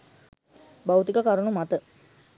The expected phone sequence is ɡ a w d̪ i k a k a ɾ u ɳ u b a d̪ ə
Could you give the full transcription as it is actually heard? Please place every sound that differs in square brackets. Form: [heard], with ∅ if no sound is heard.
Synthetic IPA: [b] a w [t̪] i k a k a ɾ u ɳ u [m] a [t̪] ə